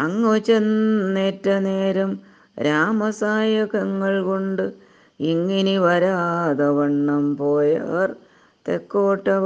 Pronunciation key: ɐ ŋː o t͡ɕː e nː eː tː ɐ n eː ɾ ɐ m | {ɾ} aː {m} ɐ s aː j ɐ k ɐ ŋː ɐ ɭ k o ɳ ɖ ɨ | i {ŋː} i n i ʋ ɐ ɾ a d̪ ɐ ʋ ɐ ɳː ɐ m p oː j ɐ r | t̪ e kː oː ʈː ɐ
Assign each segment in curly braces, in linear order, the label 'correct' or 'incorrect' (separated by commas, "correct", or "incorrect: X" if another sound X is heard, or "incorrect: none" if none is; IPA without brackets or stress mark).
correct, correct, correct